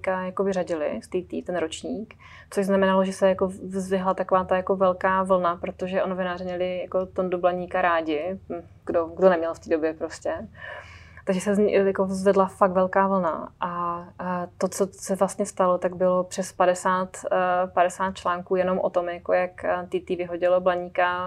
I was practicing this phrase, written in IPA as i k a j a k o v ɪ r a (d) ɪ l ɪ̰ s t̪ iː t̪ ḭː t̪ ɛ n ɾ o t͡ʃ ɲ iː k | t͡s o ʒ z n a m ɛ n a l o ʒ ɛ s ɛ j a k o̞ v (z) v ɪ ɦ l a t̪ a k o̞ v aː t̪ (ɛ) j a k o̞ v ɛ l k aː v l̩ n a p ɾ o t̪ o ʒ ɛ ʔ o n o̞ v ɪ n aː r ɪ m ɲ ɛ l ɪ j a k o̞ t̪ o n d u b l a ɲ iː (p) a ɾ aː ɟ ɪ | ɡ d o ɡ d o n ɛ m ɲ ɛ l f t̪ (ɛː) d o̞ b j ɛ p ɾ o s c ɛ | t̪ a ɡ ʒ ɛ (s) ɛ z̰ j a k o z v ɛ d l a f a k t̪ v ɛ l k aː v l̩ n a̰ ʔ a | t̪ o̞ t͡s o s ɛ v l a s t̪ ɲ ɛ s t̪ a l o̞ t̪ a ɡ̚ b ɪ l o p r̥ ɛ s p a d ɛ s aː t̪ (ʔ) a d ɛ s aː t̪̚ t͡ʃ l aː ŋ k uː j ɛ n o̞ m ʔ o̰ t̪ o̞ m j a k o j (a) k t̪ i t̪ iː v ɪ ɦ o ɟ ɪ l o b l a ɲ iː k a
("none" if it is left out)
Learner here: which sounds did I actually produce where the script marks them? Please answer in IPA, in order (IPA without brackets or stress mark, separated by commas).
ɟ, z, a, k, iː, s, p, a